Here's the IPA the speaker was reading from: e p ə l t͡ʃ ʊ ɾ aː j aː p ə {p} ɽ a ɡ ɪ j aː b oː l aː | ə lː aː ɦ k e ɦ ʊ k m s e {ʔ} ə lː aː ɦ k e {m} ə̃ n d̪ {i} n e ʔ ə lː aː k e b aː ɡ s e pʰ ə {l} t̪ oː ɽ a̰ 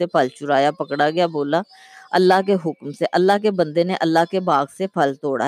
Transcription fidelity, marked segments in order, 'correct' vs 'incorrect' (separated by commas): incorrect, correct, incorrect, incorrect, correct